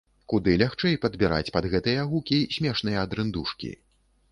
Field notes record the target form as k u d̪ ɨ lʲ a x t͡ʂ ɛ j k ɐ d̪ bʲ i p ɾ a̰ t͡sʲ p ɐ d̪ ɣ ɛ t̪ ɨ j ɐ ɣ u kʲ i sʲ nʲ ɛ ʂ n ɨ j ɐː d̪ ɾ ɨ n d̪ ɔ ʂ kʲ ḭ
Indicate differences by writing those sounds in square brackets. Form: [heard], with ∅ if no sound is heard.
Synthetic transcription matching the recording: k u d̪ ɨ lʲ a x t͡ʂ ɛ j [p] ɐ d̪ bʲ i [∅] ɾ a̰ t͡sʲ p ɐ d̪ ɣ ɛ t̪ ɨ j ɐ ɣ u kʲ i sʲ [mʲ] ɛ ʂ n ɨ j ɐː d̪ ɾ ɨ n d̪ [u] ʂ kʲ ḭ